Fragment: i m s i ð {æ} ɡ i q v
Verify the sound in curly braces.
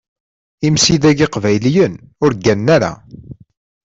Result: correct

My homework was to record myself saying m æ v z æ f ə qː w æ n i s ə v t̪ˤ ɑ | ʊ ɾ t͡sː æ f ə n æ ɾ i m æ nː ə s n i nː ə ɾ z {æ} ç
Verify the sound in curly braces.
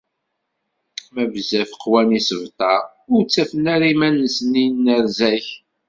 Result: correct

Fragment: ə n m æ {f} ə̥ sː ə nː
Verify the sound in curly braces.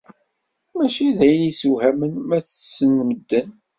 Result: incorrect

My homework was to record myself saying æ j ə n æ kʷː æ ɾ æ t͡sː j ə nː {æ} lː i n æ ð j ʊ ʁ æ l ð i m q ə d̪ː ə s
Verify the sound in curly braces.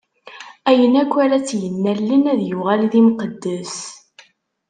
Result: correct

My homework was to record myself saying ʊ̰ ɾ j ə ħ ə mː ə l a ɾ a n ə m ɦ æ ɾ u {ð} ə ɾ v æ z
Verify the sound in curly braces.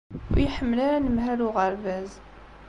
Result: incorrect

